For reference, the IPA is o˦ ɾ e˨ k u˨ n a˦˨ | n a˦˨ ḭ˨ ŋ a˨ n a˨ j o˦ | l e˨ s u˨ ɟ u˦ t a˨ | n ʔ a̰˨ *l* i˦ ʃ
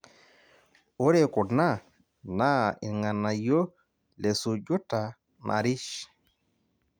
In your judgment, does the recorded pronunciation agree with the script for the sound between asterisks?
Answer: no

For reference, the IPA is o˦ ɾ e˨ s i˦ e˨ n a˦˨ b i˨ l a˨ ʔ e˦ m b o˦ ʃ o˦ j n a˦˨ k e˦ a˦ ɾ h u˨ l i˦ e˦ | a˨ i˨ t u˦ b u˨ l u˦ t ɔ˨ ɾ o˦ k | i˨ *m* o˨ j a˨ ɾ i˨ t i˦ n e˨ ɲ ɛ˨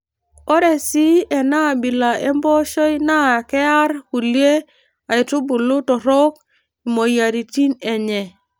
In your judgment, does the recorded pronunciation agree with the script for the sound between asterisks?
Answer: yes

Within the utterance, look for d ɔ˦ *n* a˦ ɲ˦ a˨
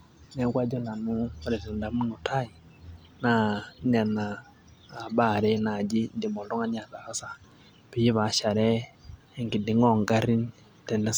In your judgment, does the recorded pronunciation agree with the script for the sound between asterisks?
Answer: no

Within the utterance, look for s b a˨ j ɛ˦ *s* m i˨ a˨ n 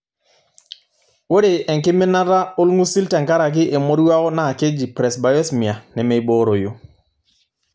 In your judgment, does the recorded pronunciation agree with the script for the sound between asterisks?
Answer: yes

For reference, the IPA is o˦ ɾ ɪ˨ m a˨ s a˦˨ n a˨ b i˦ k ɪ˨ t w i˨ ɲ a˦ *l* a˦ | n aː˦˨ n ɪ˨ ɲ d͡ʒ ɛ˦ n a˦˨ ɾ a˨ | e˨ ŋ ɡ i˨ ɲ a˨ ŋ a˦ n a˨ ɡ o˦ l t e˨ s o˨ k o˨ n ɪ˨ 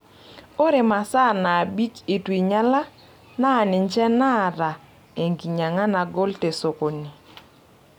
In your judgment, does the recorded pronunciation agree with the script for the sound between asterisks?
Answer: yes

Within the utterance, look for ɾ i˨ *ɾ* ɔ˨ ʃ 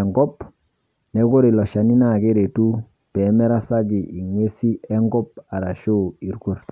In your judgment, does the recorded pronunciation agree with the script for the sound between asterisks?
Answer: no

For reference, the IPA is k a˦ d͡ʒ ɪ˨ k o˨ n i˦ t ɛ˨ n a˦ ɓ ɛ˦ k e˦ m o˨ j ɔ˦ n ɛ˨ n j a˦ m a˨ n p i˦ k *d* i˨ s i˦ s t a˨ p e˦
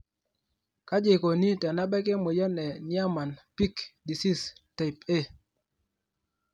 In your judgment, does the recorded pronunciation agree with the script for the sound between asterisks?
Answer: yes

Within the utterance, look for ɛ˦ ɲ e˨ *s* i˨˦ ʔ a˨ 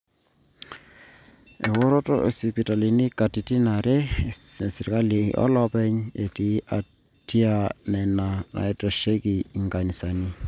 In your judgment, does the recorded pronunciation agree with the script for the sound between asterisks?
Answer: no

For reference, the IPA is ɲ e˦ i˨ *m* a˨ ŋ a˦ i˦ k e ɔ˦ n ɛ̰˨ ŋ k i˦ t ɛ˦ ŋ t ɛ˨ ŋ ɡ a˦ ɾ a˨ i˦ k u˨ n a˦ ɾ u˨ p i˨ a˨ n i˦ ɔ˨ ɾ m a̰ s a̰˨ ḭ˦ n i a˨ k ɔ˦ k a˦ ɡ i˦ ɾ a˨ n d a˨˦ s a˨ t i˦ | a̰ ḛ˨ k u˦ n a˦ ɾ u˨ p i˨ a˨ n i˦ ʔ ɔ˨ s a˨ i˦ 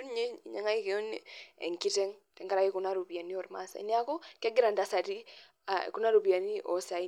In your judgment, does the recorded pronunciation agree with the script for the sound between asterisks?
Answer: no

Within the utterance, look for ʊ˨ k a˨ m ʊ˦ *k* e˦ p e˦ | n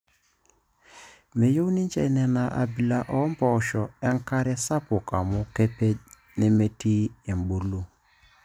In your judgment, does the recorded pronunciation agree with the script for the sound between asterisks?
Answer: yes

